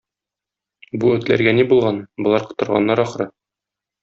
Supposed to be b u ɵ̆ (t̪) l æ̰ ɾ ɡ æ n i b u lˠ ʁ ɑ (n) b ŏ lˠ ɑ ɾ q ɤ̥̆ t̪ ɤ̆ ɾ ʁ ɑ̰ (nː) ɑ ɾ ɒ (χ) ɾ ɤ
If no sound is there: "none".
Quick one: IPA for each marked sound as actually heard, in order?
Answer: t̪, n, nː, χ

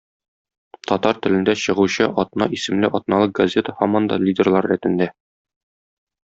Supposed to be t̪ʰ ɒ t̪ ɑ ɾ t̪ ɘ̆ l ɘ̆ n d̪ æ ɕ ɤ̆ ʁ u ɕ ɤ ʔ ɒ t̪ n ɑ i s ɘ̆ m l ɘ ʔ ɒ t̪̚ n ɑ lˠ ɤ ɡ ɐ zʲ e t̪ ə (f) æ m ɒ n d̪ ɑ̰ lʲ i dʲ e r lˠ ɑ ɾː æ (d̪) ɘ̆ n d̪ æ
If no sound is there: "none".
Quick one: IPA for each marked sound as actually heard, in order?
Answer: h, t̪

